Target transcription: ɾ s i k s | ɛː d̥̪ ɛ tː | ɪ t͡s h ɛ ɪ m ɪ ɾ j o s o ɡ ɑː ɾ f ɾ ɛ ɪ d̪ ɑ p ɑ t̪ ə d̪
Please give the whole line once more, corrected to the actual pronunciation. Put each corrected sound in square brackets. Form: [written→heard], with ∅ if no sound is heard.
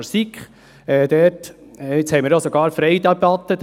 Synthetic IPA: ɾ s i k [s→χ] | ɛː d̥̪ ɛ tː | ɪ t͡s h ɛ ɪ m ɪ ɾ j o s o ɡ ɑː ɾ f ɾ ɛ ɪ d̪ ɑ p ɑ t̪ ə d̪